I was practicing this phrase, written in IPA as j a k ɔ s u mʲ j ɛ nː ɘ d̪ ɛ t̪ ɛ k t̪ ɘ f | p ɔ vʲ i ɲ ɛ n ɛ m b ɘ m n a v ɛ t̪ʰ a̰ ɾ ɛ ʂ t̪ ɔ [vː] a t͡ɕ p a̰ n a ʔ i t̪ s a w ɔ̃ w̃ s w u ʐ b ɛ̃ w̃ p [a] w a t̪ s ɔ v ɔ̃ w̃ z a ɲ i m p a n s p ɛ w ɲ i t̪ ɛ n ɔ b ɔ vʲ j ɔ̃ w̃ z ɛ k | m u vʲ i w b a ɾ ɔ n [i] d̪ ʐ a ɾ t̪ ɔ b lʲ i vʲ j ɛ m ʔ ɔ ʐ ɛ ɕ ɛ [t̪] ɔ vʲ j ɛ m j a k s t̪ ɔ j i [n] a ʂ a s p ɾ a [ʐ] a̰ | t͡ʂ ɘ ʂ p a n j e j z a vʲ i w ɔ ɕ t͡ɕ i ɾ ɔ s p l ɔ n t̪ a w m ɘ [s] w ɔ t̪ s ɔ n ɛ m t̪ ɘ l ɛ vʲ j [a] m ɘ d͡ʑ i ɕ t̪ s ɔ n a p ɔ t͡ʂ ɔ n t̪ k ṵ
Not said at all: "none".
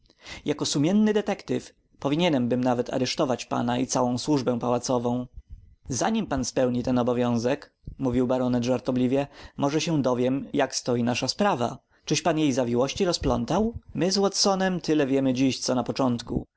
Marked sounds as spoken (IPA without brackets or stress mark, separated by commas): v, a, ɛ, d̪, n, v, z, ɛ